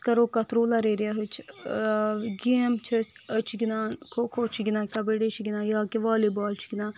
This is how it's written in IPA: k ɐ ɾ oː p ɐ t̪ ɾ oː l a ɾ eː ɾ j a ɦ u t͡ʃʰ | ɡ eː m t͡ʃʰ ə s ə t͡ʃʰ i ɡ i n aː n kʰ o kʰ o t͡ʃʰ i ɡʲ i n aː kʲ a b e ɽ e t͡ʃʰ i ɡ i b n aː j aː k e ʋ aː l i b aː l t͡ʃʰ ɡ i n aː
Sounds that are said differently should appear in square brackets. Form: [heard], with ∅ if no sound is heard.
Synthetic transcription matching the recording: k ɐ ɾ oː [k] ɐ t̪ ɾ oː l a ɾ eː ɾ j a ɦ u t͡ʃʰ | ɡ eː m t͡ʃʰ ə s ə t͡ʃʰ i ɡ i n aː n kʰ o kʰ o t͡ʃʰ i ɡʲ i n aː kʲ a b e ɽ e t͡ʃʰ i ɡ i [∅] n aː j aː k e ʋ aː l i b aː l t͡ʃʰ ɡ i n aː